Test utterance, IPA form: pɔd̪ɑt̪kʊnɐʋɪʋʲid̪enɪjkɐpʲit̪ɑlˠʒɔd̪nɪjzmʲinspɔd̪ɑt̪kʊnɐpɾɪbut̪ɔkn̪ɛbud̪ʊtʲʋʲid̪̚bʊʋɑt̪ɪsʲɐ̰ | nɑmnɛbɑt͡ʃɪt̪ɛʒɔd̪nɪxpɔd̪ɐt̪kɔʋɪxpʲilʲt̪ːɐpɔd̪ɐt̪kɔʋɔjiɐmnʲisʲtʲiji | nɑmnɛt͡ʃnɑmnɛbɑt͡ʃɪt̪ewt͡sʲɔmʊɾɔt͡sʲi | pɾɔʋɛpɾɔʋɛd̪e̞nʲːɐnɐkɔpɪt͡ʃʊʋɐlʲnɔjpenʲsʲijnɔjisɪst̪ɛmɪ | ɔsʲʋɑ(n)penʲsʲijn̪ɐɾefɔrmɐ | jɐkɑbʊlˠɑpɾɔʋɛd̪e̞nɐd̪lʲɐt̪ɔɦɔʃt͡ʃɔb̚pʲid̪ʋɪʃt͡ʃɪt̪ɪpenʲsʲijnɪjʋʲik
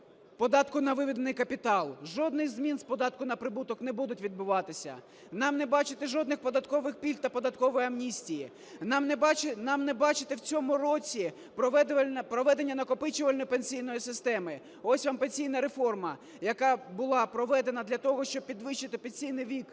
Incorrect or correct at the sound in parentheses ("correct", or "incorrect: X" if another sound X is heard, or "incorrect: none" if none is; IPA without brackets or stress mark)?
incorrect: m